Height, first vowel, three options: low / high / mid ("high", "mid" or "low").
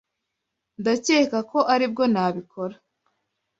low